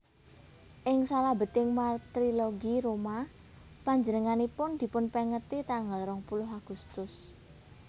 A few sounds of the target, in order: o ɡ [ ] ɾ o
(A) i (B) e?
A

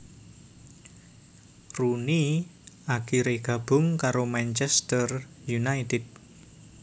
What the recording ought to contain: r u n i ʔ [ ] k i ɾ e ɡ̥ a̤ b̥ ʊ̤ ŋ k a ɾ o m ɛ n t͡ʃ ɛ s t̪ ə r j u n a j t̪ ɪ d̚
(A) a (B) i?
A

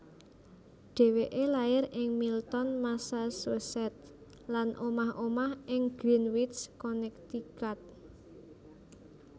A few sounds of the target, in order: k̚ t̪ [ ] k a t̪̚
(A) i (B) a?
A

